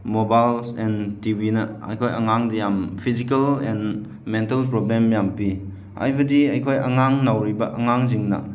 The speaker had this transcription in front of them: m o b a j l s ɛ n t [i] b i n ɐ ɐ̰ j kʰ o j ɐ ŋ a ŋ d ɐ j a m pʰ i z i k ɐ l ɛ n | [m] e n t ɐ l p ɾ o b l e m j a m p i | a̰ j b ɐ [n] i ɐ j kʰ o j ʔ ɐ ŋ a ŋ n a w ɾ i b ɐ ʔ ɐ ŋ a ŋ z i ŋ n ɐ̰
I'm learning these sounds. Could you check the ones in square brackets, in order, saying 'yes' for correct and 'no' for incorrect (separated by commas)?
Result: yes, yes, no